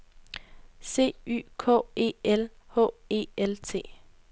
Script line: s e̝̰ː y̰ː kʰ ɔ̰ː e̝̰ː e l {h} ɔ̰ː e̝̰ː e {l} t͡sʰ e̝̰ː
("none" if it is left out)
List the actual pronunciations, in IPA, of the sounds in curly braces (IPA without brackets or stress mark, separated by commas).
h, l